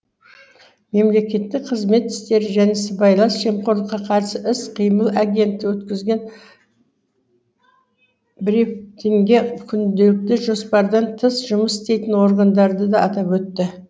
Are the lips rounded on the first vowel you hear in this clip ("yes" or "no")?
no